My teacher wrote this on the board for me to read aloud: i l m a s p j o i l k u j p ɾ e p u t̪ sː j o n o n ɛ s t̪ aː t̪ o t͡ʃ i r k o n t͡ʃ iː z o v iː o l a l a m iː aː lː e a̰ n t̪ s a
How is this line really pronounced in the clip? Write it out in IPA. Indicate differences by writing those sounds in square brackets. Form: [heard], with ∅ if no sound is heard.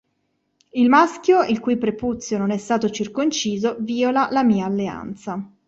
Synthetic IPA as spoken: i l m a s [k] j o i l k u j p ɾ e p u t̪ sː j o n o n ɛ s t̪ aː t̪ o t͡ʃ i r k o n t͡ʃ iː z o v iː o l a l a m iː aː lː e a̰ n t̪ s a